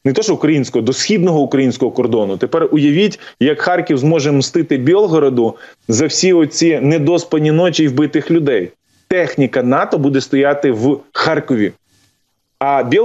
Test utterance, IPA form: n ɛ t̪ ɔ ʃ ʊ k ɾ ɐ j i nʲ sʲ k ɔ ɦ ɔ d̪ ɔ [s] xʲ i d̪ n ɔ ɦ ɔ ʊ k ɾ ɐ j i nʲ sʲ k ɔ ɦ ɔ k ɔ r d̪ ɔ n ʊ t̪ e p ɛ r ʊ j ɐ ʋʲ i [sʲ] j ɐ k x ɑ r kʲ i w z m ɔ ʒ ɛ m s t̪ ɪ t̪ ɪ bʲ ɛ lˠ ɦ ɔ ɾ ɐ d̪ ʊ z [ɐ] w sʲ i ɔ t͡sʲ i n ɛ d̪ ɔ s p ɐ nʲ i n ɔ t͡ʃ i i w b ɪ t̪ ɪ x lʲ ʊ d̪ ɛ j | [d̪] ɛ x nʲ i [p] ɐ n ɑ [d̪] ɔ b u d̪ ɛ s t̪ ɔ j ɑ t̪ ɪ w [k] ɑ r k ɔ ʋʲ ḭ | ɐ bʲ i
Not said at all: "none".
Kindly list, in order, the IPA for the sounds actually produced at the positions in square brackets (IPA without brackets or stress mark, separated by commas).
s, tʲ, ɐ, t̪, k, t̪, x